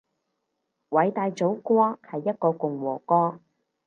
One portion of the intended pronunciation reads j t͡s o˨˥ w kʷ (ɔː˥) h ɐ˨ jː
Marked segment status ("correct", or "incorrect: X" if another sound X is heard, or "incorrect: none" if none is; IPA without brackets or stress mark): correct